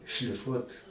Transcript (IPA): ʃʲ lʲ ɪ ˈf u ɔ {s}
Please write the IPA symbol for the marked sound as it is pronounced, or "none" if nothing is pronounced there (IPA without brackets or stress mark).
t